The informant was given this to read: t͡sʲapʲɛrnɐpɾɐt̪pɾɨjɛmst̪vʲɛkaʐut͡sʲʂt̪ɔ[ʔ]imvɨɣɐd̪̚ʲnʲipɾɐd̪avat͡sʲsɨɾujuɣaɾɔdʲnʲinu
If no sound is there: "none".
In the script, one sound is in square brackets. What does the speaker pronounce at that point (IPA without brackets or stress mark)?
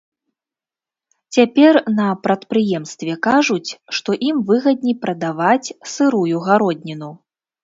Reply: ʔ